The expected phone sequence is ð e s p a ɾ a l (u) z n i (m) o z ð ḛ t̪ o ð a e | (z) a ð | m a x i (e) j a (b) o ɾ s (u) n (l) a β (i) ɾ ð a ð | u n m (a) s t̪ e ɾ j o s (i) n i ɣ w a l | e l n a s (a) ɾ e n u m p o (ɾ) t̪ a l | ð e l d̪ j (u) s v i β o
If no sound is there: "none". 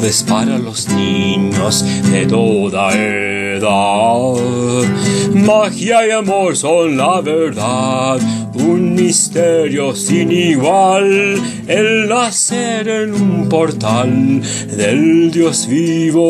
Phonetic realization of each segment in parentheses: o, ɲ, ð, a, m, o, l, e, i, i, e, ɾ, o

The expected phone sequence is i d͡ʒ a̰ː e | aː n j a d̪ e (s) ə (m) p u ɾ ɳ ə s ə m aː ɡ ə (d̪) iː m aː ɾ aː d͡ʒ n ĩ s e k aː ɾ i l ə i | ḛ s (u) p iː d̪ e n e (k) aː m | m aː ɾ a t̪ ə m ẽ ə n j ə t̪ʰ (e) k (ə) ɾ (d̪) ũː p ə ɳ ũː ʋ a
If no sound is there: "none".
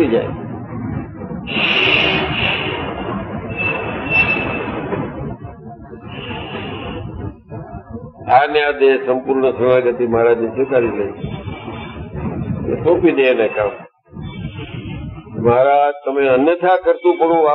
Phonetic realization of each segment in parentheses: s, m, t̪, o, k, a, ə, t̪

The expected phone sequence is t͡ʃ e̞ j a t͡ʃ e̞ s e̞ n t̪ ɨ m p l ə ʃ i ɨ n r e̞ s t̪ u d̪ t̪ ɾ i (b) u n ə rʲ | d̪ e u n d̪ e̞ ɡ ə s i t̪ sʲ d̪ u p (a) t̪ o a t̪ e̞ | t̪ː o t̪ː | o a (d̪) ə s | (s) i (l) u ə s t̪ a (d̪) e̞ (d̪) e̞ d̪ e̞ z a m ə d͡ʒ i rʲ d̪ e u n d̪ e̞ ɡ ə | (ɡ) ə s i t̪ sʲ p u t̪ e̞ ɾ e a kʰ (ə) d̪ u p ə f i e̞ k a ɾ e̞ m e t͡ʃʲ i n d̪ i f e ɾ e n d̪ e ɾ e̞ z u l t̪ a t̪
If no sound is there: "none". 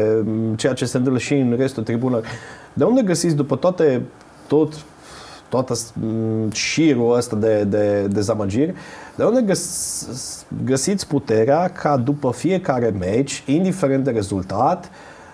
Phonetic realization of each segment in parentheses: b, ə, t̪, ʃ, ɾ, d̪, d̪, ɡ, a

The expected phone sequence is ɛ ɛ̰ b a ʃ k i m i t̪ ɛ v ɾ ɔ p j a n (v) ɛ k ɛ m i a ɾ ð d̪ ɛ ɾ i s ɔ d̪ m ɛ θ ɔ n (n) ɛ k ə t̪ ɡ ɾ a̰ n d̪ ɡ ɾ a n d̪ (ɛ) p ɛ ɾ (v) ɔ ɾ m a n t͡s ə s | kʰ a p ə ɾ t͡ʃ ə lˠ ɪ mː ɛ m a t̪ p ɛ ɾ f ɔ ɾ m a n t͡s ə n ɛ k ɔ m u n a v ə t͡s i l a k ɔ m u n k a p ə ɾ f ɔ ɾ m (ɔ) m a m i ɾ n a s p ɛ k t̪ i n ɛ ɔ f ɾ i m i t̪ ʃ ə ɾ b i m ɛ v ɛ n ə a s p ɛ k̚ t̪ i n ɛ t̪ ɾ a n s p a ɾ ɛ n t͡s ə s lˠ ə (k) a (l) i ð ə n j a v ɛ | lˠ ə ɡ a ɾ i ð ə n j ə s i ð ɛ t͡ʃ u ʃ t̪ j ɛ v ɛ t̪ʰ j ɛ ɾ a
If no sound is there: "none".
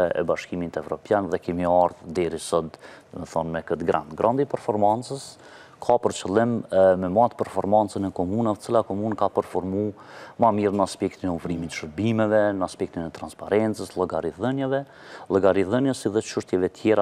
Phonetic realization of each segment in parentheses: ð, m, i, f, u, ɡ, ɾ

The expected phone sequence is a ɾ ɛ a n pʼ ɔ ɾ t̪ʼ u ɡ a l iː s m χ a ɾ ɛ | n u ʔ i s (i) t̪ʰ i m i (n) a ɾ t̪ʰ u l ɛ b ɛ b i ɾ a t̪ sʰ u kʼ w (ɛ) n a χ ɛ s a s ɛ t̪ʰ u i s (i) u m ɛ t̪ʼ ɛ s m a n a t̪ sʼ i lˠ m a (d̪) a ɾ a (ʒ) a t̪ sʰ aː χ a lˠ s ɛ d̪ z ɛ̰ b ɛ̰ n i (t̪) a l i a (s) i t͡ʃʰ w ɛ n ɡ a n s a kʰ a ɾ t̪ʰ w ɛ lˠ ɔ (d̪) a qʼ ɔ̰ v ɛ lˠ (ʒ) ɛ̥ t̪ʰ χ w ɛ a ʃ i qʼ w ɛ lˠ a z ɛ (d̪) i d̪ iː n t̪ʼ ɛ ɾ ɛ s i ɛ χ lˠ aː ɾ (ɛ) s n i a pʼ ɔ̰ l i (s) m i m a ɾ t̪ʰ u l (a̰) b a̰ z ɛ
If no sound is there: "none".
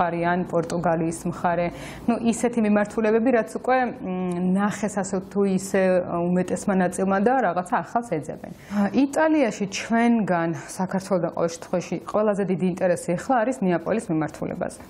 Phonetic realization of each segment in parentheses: ɛ, m, ɛ, ɛ, d̪, ʁ, t̪ʼ, ʃ, d̪, ʃ, d̪, i, s, ɛ̰

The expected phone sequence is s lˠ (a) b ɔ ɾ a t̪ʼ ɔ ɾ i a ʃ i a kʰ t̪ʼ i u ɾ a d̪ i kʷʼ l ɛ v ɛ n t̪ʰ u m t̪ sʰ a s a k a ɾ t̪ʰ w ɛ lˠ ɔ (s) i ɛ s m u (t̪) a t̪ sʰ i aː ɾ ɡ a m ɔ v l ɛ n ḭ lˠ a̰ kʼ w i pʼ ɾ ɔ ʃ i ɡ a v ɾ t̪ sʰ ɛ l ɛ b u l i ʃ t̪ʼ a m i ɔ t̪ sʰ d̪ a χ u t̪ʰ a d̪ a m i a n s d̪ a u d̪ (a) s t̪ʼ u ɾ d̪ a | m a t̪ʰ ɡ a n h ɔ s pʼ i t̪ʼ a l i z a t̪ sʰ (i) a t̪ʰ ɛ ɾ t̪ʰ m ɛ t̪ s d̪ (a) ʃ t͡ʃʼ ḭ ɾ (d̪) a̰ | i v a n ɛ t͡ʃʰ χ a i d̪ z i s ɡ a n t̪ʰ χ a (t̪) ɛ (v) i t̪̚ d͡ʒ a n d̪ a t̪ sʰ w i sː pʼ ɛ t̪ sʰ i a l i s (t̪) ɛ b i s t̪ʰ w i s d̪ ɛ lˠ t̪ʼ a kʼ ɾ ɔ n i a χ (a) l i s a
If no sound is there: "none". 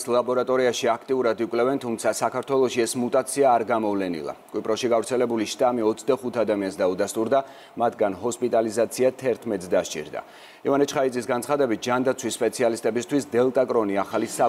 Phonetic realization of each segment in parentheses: a, ʃ, t̪ʼ, a, i, a, d̪, d̪, b, t̪ʼ, a

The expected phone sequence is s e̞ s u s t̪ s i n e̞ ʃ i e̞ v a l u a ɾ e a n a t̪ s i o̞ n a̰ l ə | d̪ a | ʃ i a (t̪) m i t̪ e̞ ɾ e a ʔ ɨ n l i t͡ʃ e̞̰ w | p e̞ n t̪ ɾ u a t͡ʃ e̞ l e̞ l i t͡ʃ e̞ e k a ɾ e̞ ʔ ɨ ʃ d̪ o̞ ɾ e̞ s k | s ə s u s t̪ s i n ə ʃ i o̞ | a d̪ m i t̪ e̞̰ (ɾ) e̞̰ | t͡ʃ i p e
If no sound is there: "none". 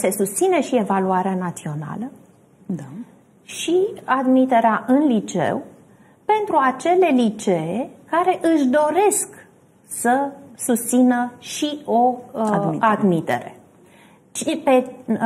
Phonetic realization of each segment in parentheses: d̪, ɾ

